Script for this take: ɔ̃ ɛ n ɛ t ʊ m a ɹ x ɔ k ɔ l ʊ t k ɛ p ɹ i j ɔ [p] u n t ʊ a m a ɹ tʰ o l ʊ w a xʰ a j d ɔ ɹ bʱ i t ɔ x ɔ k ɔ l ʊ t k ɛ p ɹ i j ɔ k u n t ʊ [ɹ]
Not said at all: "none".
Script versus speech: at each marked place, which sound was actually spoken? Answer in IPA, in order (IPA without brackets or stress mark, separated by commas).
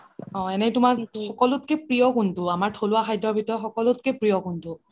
k, none